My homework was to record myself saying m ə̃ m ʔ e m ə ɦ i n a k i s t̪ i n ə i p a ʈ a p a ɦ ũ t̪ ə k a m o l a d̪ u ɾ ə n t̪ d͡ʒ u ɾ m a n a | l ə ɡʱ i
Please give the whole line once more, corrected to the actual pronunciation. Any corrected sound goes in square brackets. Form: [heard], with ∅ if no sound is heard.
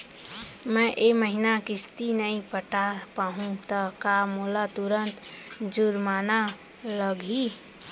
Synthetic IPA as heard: m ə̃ [∅] ʔ e m ə ɦ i n a k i s t̪ i n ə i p [ə] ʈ a p a ɦ ũ t̪ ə k a m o l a [t̪] u ɾ ə n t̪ d͡ʒ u ɾ m a n a | l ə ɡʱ i